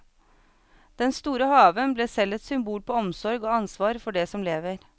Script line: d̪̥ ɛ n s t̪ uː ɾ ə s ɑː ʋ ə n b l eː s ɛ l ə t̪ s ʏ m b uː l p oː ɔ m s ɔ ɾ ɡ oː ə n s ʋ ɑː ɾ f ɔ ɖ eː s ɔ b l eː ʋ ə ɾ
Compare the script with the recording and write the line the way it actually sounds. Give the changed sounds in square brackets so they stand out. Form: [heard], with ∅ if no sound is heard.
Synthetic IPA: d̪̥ ɛ n s t̪ uː ɾ ə [h] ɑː ʋ ə n b l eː s ɛ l ə t̪ s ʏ m b uː l p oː ɔ m s ɔ ɾ ɡ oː [ɑ] n s ʋ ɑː ɾ f ɔ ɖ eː s ɔ [m] l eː ʋ ə ɾ

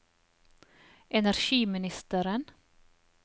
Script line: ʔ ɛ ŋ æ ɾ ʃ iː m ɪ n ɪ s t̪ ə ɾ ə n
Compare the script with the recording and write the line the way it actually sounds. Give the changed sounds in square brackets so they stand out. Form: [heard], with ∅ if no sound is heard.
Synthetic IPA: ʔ ɛ [n] æ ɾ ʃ iː m ɪ n ɪ s t̪ ə ɾ ə n

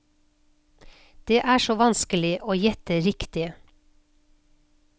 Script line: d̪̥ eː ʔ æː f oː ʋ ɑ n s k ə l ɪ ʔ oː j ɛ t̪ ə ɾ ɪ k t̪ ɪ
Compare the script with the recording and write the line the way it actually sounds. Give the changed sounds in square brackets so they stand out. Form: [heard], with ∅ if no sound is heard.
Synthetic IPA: d̪̥ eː ʔ æː [ʃ] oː ʋ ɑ n s k ə l ɪ ʔ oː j ɛ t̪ ə ɾ ɪ k t̪ ɪ

